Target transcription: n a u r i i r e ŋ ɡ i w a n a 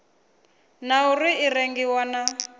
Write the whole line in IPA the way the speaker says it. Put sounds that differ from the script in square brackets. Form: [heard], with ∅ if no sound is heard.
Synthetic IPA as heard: n a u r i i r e ŋ ɡ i w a n a